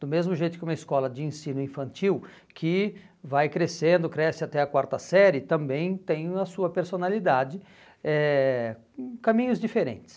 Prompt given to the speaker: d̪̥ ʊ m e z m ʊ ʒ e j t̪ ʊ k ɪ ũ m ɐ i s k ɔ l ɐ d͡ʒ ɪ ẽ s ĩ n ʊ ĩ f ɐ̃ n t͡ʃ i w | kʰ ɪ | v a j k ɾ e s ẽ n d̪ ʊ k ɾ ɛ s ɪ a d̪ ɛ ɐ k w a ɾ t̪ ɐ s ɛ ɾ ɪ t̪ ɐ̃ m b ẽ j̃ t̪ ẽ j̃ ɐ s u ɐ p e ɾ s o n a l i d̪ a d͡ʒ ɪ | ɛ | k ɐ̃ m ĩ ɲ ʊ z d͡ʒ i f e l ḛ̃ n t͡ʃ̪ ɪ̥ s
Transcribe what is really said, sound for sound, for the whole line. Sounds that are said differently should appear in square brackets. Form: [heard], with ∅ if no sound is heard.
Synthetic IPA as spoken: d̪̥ ʊ m e z m ʊ ʒ e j t̪ ʊ k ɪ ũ m ɐ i s k ɔ l ɐ d͡ʒ ɪ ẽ s ĩ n ʊ ĩ f ɐ̃ n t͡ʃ i w | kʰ ɪ | v a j k ɾ e s ẽ n d̪ ʊ k ɾ ɛ s ɪ a [t̪] ɛ ɐ k w a ɾ t̪ ɐ s ɛ ɾ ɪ t̪ ɐ̃ m b ẽ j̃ t̪ ẽ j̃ ɐ s u ɐ p e ɾ s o n a l i d̪ a d͡ʒ ɪ | ɛ | k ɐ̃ m ĩ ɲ ʊ z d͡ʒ i f e [ɾ] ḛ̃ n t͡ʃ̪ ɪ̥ s